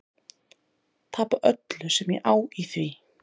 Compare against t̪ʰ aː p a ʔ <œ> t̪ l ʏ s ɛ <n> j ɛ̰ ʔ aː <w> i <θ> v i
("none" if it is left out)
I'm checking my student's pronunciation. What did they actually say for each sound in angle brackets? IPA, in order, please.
œ, m, w, θ

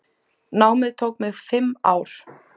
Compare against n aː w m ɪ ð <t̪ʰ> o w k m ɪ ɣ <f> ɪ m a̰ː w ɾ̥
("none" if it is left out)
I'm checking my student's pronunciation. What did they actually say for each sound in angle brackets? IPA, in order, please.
t̪ʰ, f

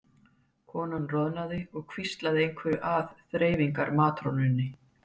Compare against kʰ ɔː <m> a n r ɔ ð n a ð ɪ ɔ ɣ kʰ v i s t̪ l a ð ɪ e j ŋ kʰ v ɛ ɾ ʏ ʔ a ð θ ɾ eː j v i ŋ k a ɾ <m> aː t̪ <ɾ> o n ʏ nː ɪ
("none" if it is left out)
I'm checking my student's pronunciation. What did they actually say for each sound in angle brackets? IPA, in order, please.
n, m, ɾ

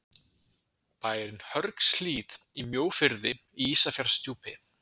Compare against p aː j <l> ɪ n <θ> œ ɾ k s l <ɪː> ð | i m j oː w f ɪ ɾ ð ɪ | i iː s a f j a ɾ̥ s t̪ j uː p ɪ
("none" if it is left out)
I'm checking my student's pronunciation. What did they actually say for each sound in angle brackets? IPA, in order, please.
ɾ, h, iː

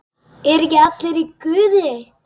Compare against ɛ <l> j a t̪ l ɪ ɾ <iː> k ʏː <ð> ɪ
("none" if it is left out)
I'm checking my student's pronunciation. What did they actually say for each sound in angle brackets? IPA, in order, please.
ɾ, i, ð

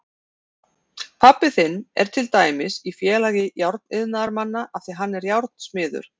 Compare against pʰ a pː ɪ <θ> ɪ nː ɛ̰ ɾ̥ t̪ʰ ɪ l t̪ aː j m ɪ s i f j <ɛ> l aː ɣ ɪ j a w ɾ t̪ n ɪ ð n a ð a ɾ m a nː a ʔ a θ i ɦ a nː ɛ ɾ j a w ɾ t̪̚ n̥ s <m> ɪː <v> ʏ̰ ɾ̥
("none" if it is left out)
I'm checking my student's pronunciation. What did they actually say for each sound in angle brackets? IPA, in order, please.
θ, ɛː, m, ð

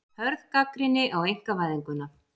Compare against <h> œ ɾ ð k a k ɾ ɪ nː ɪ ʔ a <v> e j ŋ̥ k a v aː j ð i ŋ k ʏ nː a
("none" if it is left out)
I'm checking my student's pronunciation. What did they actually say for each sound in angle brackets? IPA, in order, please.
h, w

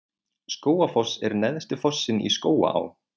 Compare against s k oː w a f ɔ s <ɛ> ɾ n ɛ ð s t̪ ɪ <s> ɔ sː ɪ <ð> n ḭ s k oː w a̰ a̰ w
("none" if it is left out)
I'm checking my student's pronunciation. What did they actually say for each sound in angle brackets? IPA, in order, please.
ɛ, f, none

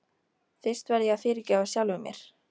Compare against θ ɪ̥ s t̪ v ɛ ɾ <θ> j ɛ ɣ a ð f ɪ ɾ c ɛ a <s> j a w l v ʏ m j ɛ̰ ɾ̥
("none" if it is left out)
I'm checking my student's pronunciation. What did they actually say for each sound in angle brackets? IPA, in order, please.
ð, s

